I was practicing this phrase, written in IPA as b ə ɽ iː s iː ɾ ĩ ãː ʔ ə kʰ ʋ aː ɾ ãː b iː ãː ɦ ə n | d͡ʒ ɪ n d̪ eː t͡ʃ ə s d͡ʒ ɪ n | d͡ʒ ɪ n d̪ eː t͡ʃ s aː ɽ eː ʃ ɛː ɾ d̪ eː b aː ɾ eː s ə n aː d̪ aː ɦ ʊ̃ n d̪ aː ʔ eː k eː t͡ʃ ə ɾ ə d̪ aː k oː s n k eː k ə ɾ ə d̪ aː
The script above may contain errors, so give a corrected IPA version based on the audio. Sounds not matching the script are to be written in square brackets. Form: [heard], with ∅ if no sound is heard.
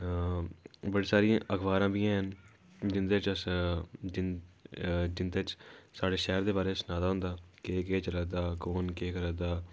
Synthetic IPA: b ə ɽ iː s [aː] ɾ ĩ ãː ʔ ə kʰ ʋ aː ɾ ãː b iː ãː ɦ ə n | d͡ʒ ɪ n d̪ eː t͡ʃ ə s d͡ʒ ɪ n | d͡ʒ ɪ n d̪ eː t͡ʃ s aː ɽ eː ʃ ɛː ɾ d̪ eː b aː ɾ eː s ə n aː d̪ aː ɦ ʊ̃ n d̪ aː [k] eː k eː t͡ʃ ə ɾ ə d̪ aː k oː [∅] n k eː k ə ɾ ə d̪ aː